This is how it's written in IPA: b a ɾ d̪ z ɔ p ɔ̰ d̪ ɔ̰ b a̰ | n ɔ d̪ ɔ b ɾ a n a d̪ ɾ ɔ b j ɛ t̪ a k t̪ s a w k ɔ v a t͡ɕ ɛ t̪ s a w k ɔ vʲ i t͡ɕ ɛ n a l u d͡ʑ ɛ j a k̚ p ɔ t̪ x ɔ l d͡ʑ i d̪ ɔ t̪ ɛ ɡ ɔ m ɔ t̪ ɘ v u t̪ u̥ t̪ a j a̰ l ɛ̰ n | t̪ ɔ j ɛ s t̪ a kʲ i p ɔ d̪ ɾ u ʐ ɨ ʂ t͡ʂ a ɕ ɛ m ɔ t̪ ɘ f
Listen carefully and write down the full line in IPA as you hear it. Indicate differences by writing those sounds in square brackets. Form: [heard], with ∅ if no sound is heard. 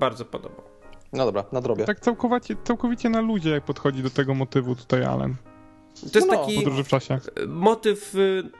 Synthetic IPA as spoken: b a ɾ d̪ z ɔ p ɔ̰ d̪ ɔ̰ b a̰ | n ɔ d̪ ɔ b ɾ a n a d̪ ɾ ɔ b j ɛ t̪ a k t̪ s a w k ɔ v a t͡ɕ ɛ t̪ s a w k ɔ vʲ i t͡ɕ ɛ n a l u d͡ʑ ɛ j a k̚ p ɔ t̪ x ɔ [∅] d͡ʑ i d̪ ɔ t̪ ɛ ɡ ɔ m ɔ t̪ ɘ v u t̪ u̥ t̪ a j a̰ l ɛ̰ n | t̪ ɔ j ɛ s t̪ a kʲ i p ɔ d̪ ɾ u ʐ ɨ [f] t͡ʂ a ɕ ɛ m ɔ t̪ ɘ f